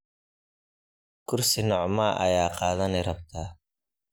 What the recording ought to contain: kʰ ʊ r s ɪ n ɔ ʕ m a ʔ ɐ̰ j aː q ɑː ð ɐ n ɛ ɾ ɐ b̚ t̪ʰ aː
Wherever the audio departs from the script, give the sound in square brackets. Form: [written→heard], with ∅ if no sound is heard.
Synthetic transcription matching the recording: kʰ ʊ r s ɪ n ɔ ʕ m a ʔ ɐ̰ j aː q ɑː ð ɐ n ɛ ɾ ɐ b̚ t̪ʰ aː